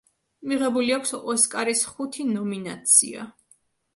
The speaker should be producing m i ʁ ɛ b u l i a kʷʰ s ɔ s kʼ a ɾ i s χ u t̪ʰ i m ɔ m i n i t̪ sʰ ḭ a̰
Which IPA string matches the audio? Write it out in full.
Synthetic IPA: m i ʁ ɛ b u l i a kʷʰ s ɔ s kʼ a ɾ i s χ u t̪ʰ i n ɔ m i n a t̪ sʰ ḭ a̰